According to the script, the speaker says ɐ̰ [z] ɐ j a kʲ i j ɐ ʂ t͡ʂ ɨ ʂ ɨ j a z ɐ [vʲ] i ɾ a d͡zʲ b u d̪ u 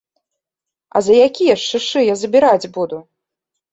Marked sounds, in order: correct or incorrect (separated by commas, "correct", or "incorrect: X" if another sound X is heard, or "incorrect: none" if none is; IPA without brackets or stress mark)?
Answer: correct, incorrect: bʲ